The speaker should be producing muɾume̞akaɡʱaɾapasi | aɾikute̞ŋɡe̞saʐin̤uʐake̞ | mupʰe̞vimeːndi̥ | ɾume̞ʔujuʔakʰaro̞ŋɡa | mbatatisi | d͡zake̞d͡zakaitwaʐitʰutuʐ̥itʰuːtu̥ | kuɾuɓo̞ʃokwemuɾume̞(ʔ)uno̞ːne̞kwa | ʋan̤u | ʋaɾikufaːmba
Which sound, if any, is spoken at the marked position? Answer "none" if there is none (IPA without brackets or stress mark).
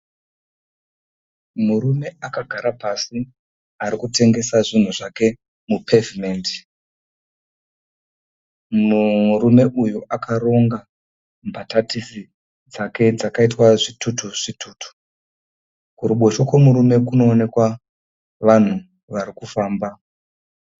k